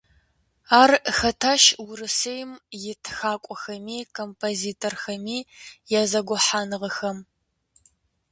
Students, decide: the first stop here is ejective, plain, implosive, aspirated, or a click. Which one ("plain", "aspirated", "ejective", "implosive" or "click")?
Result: aspirated